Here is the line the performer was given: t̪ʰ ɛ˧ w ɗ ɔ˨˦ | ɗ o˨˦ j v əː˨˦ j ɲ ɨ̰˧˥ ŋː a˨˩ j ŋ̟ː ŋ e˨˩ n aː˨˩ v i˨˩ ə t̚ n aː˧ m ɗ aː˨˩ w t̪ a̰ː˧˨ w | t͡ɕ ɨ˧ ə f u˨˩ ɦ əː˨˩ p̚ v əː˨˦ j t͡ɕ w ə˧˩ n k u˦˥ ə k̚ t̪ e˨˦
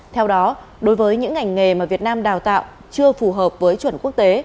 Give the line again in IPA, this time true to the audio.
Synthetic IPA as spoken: t̪ʰ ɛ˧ w ɗ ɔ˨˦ | ɗ o˨˦ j v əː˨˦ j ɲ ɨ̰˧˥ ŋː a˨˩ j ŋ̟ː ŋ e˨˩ m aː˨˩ v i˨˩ ə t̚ n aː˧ m ɗ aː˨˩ w t̪ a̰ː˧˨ w | t͡ɕ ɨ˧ ə f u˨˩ ɦ əː˨˩ p̚ v əː˨˦ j t͡ɕ w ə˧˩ n k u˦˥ ə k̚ t̪ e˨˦